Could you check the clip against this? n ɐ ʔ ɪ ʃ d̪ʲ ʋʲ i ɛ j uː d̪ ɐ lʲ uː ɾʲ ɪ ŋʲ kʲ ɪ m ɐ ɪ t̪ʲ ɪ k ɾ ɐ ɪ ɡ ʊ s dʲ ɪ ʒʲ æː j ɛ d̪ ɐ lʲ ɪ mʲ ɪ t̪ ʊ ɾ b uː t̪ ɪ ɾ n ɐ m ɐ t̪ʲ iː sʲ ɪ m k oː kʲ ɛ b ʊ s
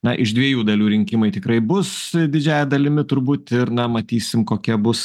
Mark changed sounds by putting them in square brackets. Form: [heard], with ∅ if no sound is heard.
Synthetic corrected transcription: n ɐ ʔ ɪ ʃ d̪ʲ ʋʲ i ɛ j uː d̪ ɐ lʲ uː ɾʲ ɪ ŋʲ kʲ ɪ m ɐ ɪ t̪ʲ ɪ k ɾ ɐ ɪ [b] ʊ s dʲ ɪ [d͡ʒʲ] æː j ɛ d̪ ɐ lʲ ɪ mʲ ɪ t̪ ʊ ɾ b uː t̪ ɪ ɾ n ɐ m ɐ t̪ʲ iː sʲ ɪ m k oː kʲ ɛ b ʊ s

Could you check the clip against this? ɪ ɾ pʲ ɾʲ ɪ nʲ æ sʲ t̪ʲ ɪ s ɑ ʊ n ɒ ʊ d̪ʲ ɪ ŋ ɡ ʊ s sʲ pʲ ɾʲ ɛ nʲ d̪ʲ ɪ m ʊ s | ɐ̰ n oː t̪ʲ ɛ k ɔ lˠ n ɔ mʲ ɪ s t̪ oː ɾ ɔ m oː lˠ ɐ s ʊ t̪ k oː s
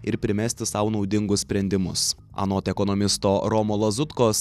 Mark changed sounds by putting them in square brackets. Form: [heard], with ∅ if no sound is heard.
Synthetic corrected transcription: ɪ ɾ pʲ ɾʲ ɪ [mʲ] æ sʲ t̪ʲ ɪ s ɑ ʊ n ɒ ʊ d̪ʲ ɪ ŋ ɡ ʊ s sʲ pʲ ɾʲ ɛ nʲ d̪ʲ ɪ m ʊ s | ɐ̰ n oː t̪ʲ ɛ k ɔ [∅] n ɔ mʲ ɪ s t̪ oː ɾ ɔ m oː lˠ ɐ [z] ʊ t̪ k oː s

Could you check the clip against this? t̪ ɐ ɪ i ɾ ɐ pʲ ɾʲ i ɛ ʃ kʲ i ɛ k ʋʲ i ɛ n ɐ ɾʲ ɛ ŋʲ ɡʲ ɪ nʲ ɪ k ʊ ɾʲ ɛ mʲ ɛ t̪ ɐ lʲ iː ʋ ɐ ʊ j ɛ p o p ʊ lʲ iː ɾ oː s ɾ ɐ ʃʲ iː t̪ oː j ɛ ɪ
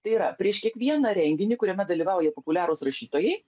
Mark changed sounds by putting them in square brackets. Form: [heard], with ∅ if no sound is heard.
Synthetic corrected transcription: t̪ ɐ ɪ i ɾ ɐ pʲ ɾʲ i ɛ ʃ kʲ i ɛ k ʋʲ i ɛ n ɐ ɾʲ ɛ ŋʲ ɡʲ ɪ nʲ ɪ k ʊ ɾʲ ɛ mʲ ɛ [d̪] ɐ lʲ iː ʋ [ɑ] ʊ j ɛ p o p ʊ lʲ [æː] ɾ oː s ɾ ɐ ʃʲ iː t̪ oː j ɛ ɪ

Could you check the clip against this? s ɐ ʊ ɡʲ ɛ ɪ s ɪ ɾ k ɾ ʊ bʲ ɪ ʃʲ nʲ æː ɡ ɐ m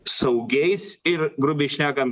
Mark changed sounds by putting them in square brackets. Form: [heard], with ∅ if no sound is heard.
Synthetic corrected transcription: s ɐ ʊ ɡʲ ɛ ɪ s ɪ ɾ [ɡ] ɾ ʊ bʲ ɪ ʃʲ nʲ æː [k] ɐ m

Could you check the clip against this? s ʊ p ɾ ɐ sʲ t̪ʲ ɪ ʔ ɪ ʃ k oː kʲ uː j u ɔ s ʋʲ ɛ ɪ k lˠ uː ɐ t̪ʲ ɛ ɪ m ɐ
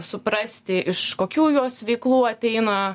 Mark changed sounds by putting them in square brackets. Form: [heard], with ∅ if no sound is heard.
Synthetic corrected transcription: s ʊ p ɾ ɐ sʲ t̪ʲ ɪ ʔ ɪ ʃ k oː kʲ uː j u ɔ s ʋʲ ɛ ɪ k lˠ uː ɐ t̪ʲ ɛ ɪ [n] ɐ

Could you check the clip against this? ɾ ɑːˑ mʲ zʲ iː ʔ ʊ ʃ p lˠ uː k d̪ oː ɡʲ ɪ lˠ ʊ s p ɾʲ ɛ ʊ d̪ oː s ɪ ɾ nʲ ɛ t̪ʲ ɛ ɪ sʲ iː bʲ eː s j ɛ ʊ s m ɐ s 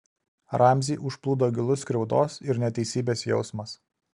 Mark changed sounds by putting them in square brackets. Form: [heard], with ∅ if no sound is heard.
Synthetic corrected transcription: ɾ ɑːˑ mʲ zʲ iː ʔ ʊ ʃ p lˠ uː [∅] d̪ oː ɡʲ ɪ lˠ ʊ s [k] ɾʲ ɛ ʊ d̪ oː s ɪ ɾ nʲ ɛ t̪ʲ ɛ ɪ sʲ iː bʲ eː s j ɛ ʊ s m ɐ s

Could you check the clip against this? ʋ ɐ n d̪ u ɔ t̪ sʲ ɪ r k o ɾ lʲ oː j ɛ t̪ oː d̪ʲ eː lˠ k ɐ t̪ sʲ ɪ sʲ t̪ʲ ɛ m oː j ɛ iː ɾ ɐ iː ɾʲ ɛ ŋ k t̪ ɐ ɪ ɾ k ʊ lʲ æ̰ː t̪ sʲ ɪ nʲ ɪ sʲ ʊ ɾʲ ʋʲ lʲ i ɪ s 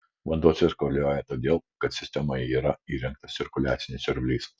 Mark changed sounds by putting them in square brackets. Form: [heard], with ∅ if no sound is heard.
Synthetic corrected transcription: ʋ ɐ n d̪ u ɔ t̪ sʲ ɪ [ɾ] k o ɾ lʲ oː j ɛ t̪ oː d̪ʲ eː lˠ k ɐ t̪ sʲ ɪ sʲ t̪ʲ ɛ m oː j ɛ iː ɾ ɐ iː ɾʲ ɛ ŋ k t̪ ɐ ɪ ɾ k ʊ lʲ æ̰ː t̪ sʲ ɪ nʲ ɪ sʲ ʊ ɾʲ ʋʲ lʲ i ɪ s

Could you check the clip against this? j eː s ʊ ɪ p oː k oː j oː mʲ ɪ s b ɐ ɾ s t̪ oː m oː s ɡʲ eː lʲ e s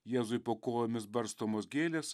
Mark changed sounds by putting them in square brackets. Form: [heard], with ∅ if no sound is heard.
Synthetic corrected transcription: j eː [z] ʊ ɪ p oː k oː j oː mʲ ɪ s b ɐ ɾ s t̪ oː m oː s ɡʲ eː lʲ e s

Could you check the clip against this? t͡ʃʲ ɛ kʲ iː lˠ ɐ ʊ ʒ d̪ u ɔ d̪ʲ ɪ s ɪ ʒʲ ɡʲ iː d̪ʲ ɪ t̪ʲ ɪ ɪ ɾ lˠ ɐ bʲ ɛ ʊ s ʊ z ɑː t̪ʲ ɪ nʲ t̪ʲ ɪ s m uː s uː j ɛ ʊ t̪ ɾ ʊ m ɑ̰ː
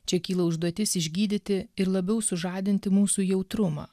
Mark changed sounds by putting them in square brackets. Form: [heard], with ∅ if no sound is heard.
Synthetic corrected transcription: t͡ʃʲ ɛ kʲ iː lˠ ɐ ʊ ʒ d̪ u ɔ [t̪ʲ] ɪ s ɪ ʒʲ ɡʲ iː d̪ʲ ɪ t̪ʲ ɪ ɪ ɾ lˠ ɐ bʲ ɛ ʊ s ʊ [ʒ] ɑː [d̪ʲ] ɪ nʲ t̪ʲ ɪ [∅] m uː s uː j ɛ ʊ t̪ ɾ ʊ m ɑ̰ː

